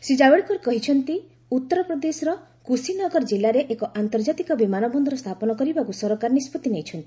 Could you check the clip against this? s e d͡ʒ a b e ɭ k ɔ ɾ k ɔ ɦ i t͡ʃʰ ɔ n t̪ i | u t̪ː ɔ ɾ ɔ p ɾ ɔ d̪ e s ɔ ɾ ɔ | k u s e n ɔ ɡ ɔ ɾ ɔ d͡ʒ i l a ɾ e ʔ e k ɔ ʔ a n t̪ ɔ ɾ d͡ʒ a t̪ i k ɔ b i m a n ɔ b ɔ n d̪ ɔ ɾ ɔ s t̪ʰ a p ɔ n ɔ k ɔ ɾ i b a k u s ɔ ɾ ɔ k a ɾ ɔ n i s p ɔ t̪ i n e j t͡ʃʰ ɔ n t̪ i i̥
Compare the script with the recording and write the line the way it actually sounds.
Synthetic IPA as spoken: s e d͡ʒ a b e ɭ k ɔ ɾ k ɔ ɦ i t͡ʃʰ ɔ n t̪ i | u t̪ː ɔ ɾ ɔ p ɾ ɔ d̪ e s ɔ ɾ ɔ | k u s i n ɔ ɡ ɔ ɾ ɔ d͡ʒ i l a ɾ e ʔ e k ɔ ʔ a n t̪ ɔ ɾ d͡ʒ a t̪ i k ɔ b i m a n ɔ b ɔ n d̪ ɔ ɾ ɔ s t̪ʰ a p ɔ n ɔ k ɔ ɾ i b a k u s ɔ ɾ ɔ k a ɾ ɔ n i s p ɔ t̪ i n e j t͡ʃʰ ɔ n t̪ i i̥